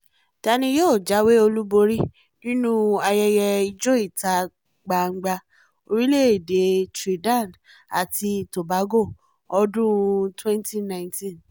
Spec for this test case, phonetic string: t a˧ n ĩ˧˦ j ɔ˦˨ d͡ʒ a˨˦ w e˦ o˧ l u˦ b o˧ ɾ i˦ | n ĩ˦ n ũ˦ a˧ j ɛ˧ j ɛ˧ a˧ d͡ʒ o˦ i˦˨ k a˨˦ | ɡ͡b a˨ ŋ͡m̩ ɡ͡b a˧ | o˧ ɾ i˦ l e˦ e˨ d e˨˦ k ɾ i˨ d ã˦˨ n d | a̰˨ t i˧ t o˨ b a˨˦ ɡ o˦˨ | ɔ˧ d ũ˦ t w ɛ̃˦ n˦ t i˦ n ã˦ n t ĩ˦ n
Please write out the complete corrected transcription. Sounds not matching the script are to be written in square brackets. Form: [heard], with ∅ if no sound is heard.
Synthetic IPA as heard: t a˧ n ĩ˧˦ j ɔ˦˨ d͡ʒ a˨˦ w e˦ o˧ l u˦ b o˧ ɾ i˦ | n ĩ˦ n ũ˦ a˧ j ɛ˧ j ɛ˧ [i˧] d͡ʒ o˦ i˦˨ [t] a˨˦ | ɡ͡b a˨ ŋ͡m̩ ɡ͡b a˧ | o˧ ɾ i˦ l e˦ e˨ d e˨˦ [t] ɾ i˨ d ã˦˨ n d | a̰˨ t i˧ t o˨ b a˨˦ ɡ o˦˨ | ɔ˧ d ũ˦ t w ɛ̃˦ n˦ t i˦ n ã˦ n t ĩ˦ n